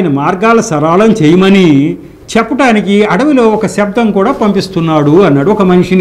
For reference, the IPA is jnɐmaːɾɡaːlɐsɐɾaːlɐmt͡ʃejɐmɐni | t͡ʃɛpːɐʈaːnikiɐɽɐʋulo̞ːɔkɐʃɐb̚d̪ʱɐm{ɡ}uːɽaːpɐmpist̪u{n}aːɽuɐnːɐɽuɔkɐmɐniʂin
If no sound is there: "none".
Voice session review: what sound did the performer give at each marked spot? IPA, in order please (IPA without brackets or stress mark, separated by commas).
k, nː